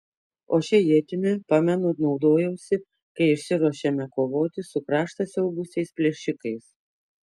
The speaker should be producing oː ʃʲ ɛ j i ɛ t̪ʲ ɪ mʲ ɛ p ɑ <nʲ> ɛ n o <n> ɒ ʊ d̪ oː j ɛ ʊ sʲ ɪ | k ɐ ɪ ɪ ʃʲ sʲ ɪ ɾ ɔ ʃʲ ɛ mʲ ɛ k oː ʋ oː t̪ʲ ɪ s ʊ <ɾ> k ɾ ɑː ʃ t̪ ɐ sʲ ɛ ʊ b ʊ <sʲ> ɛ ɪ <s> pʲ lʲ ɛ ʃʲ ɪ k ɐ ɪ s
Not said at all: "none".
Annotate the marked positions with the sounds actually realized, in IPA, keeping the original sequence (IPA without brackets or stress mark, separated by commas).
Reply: mʲ, n, none, sʲ, s